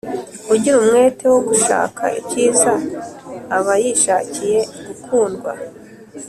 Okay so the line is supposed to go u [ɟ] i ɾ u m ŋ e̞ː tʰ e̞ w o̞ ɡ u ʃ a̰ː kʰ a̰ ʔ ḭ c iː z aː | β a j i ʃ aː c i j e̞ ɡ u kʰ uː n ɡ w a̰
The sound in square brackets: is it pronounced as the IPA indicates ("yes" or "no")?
yes